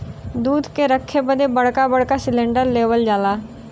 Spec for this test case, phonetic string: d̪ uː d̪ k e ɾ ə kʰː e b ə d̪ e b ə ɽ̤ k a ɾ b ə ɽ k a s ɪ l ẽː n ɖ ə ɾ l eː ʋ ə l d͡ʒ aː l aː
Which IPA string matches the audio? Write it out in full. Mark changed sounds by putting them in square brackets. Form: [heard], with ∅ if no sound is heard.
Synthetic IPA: d̪ uː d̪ k e ɾ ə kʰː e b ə d̪ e b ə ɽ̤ k a [∅] b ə ɽ k a s ɪ l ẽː [ɳ] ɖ ə ɾ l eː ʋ ə l d͡ʒ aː l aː